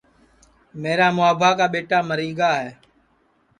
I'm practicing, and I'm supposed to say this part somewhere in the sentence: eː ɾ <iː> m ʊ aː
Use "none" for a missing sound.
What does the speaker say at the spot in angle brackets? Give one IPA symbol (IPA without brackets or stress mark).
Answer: aː